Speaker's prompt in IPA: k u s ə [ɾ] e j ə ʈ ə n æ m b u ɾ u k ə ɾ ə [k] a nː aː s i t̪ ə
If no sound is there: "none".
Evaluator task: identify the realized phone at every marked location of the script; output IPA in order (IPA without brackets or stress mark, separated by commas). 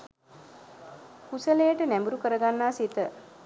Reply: l, ɡ